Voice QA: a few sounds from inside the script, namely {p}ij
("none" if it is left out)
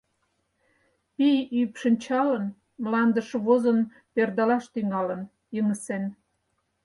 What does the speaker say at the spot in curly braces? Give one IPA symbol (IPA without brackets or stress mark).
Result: p